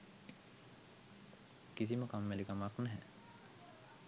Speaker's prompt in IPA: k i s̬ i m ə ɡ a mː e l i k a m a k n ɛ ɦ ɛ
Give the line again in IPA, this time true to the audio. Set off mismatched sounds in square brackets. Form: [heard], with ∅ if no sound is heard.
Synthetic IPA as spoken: k i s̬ i m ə [k] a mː e l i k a m a k n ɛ ɦ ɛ